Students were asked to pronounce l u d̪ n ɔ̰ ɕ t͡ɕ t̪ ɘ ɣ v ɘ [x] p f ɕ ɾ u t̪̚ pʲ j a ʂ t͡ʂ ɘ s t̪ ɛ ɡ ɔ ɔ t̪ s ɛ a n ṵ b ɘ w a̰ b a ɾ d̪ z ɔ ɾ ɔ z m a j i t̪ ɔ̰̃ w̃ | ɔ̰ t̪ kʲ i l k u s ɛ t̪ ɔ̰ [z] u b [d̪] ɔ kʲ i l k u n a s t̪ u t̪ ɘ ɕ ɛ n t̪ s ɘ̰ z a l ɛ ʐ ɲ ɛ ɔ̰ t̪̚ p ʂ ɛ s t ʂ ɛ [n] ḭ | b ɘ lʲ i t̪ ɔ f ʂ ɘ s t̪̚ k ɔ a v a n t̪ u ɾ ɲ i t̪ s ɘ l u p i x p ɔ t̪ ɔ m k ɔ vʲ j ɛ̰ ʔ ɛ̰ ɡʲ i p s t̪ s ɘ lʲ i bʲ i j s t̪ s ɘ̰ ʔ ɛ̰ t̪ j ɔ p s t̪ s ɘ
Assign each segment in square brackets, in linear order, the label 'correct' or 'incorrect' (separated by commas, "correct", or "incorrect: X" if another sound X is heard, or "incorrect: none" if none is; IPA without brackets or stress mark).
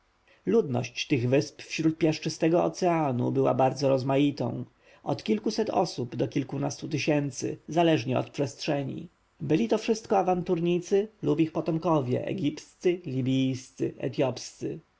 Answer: incorrect: s, incorrect: s, correct, incorrect: ɲ